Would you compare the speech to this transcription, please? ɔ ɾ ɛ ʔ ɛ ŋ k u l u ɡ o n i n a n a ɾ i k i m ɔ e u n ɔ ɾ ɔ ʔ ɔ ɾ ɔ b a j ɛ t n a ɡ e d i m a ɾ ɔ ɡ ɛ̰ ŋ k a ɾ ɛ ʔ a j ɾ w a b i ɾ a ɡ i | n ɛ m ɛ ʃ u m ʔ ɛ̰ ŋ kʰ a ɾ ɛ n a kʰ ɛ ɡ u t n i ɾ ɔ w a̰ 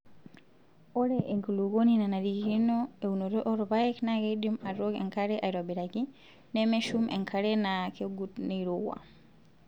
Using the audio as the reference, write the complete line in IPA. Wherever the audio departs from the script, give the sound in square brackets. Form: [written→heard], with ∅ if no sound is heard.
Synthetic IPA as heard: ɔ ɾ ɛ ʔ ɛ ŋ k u l u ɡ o n i n a n a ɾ i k i [m→n] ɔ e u n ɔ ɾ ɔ ʔ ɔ ɾ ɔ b a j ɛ [t→k] n a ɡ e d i m a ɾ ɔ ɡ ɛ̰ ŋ k a ɾ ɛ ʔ a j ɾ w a b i ɾ a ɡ i | n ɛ m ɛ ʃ u m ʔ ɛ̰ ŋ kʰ a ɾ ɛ n a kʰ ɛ ɡ u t n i ɾ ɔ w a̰